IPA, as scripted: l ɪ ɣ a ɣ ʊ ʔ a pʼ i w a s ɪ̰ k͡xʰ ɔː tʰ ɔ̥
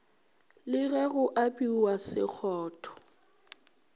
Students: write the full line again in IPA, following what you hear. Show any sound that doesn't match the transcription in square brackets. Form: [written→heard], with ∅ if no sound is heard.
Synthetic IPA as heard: l ɪ ɣ [a→ɛ] ɣ ʊ ʔ a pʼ i w a s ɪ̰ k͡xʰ ɔː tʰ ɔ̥